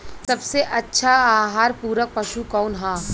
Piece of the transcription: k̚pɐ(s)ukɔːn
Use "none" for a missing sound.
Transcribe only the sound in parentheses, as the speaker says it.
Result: ʃ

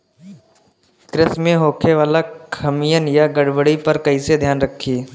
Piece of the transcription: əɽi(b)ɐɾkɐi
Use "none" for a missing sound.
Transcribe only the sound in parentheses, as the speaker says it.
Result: p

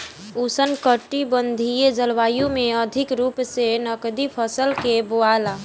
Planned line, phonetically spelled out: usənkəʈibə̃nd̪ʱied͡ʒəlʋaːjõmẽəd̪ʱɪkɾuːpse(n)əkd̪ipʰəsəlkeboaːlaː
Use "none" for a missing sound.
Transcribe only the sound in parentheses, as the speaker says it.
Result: n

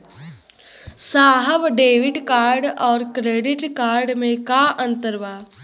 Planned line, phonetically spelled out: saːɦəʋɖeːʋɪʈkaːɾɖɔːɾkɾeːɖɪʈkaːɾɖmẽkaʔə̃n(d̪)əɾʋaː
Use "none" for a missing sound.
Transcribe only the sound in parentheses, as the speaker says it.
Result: t̪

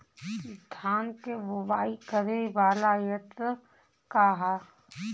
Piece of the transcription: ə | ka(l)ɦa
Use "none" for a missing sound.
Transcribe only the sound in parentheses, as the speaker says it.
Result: none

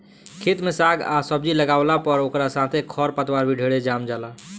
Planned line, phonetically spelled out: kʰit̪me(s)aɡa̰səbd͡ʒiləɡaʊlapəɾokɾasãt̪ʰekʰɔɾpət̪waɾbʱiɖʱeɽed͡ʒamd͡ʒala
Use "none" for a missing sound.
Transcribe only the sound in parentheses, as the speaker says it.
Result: s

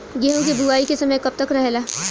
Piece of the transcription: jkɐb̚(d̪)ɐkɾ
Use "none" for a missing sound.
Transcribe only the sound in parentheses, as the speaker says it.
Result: t̪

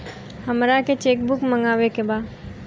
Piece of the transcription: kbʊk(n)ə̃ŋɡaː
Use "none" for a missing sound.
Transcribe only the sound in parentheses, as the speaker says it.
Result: m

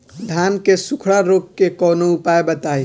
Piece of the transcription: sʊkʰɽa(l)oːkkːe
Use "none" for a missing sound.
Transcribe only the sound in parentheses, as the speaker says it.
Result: ɾ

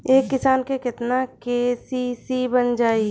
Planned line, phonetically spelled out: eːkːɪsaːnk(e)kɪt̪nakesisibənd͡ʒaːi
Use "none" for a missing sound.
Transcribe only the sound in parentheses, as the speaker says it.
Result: e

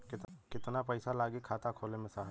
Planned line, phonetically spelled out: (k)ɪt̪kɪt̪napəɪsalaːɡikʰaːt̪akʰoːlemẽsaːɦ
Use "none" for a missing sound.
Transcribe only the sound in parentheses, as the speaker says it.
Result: k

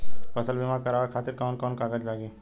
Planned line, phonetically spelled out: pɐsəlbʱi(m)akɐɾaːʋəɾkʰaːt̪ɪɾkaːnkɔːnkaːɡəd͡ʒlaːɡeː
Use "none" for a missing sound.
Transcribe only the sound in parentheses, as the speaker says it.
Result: m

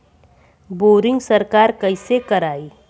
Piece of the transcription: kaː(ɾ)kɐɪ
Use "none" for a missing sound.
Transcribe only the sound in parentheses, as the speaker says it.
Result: ɾ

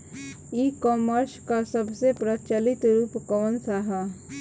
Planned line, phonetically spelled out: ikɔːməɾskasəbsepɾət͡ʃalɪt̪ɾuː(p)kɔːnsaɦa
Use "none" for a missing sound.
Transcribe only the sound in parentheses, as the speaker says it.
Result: p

